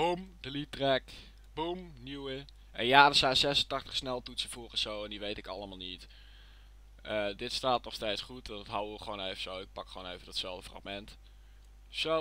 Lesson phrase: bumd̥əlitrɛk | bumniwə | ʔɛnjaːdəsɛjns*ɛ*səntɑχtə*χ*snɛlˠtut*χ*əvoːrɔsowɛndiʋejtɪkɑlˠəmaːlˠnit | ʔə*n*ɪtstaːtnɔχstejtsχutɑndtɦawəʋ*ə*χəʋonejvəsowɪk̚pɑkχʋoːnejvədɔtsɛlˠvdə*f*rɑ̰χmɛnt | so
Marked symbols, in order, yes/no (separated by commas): yes, yes, no, no, yes, yes